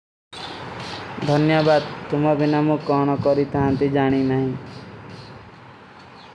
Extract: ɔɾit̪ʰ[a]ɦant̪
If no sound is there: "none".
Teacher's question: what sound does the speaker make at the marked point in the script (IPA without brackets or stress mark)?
a